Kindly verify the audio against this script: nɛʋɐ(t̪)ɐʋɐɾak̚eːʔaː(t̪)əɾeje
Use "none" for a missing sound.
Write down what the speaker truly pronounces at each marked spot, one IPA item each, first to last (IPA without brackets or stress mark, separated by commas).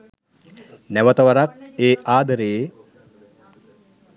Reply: t̪, d̪